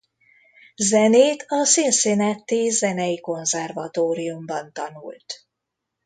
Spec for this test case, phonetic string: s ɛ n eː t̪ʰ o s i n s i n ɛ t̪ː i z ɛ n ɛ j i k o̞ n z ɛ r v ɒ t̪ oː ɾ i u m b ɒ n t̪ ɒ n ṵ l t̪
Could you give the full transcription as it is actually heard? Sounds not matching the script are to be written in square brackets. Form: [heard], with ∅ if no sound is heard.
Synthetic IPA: [z] ɛ n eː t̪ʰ [ɒ] s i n s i n ɛ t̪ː i z ɛ n ɛ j i k o̞ n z ɛ r v ɒ t̪ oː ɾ i u m b ɒ n t̪ ɒ n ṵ l t̪